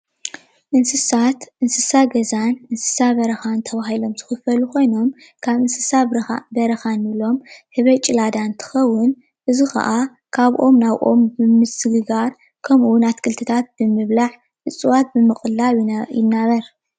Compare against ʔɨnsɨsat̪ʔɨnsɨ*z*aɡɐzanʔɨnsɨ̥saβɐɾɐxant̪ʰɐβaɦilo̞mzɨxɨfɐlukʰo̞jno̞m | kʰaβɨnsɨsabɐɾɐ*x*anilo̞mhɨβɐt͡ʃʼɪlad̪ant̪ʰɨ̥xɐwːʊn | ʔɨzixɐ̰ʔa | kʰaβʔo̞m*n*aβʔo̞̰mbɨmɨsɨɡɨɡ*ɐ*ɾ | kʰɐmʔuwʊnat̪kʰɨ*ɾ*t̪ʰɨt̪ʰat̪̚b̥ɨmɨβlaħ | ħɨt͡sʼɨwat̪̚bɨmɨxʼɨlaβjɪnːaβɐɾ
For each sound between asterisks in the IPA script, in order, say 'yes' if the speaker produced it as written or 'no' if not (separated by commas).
no, yes, yes, no, no